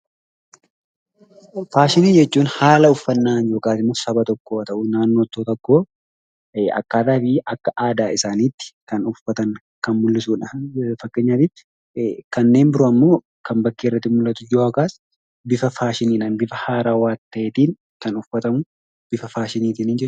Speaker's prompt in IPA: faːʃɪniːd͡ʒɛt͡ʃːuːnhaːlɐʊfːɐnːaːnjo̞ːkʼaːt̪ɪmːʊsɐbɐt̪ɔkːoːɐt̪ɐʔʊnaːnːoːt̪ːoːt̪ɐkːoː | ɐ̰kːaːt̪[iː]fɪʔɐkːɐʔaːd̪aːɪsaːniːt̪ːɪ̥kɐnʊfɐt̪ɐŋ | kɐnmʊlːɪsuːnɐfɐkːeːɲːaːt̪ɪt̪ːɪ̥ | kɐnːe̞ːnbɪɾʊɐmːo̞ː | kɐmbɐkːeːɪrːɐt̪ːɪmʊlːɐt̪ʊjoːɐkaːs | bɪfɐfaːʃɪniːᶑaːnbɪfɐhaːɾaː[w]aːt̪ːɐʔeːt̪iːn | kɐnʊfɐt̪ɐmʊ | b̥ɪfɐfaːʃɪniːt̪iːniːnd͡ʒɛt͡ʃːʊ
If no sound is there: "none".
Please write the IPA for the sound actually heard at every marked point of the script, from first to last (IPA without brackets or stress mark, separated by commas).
aː, w